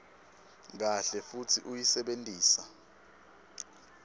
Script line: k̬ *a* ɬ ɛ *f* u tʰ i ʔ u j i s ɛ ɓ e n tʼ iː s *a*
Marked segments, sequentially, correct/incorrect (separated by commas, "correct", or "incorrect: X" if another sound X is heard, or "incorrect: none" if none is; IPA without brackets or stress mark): correct, correct, correct